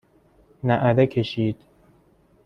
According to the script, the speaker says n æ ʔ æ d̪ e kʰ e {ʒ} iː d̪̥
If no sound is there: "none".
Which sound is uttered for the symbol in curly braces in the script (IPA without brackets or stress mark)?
ʃ